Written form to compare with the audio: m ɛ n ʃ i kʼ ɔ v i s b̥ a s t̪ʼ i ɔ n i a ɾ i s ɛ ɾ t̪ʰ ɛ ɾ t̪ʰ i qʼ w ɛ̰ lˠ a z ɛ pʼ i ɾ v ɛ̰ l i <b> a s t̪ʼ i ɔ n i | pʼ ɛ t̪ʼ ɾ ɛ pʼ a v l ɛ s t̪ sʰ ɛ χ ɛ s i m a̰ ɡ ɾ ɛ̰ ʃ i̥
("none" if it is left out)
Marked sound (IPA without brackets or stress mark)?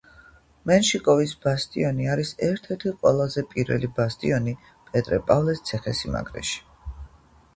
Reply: b